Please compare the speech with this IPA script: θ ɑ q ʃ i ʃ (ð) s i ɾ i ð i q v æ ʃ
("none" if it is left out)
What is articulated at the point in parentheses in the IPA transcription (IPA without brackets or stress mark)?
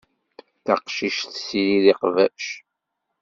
θ